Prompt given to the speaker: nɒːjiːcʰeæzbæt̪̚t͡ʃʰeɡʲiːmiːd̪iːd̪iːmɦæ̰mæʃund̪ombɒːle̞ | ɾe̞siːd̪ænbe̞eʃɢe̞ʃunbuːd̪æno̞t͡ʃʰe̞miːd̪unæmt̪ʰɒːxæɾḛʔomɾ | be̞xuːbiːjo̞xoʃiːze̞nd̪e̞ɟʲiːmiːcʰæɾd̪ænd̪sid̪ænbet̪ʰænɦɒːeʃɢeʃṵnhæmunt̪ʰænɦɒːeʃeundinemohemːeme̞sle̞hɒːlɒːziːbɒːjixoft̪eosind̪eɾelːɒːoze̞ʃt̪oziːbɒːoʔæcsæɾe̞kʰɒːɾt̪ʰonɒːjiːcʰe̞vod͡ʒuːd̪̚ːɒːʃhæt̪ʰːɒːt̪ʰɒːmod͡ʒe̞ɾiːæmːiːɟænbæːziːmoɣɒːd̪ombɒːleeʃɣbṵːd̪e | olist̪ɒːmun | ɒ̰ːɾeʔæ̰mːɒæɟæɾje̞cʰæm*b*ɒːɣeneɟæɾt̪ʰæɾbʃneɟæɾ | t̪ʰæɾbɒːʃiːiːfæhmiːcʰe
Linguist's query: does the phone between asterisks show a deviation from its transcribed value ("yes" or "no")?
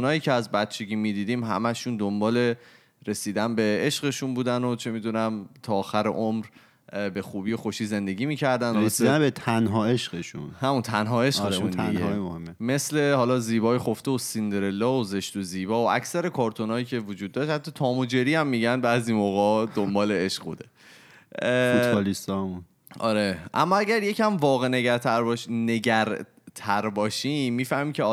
yes